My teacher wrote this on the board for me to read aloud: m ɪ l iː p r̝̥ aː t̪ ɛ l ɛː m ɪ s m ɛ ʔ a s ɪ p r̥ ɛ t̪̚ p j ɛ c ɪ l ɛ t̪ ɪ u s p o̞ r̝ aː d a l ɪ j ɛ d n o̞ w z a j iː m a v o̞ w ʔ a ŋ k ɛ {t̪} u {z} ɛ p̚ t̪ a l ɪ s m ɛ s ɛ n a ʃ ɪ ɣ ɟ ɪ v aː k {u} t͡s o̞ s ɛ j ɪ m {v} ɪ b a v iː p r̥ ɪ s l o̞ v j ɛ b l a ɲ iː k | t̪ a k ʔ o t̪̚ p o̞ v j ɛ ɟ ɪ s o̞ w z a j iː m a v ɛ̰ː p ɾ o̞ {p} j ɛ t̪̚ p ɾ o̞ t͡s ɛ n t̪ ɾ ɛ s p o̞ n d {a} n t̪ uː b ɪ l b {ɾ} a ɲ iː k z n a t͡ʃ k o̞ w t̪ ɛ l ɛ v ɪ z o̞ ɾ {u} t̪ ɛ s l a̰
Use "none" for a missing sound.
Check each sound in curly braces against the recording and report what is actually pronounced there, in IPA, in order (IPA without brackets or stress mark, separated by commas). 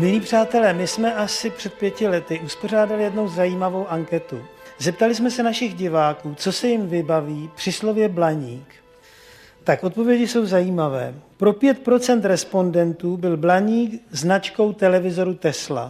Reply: t̪, z, uː, v, p, ɛ, l, u